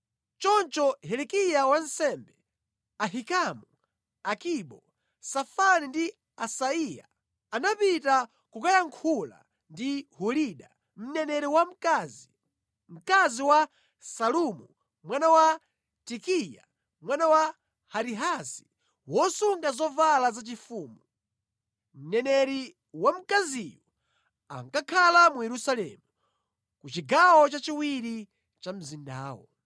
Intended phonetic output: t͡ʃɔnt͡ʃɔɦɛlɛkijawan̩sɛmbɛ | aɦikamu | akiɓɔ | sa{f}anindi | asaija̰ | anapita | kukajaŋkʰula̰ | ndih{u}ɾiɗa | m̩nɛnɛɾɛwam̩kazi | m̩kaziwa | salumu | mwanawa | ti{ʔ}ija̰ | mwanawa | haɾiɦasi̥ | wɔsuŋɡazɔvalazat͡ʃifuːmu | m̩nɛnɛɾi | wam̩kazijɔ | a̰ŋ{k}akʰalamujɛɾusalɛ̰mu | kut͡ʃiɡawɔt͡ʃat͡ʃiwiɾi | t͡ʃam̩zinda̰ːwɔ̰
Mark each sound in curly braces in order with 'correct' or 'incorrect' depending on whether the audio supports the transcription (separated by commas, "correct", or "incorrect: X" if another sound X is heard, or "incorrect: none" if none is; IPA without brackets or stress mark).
correct, correct, incorrect: k, correct